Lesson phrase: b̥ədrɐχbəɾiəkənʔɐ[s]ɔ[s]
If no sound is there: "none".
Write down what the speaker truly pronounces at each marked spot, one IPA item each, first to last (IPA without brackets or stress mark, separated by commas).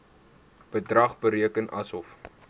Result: s, f